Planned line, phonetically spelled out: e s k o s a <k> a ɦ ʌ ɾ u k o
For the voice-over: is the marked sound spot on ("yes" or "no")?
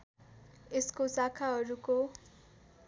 no